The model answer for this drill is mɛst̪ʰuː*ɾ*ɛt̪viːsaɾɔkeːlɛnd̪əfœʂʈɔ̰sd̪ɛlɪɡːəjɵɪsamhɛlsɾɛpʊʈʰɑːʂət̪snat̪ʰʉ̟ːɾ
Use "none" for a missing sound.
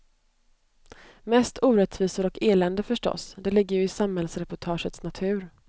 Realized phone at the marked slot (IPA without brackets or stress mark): ɾ